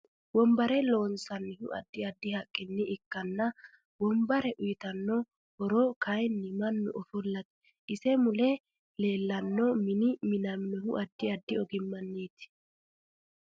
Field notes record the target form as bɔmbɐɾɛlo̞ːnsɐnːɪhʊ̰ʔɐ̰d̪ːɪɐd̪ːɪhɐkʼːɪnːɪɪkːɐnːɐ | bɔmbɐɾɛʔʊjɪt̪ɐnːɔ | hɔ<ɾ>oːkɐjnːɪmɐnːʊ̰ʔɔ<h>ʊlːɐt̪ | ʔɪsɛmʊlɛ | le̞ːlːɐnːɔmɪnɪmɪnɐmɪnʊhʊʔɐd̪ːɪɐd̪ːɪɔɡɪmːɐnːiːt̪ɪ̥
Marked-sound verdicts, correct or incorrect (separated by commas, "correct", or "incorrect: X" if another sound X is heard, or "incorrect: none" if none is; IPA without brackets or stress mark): correct, incorrect: f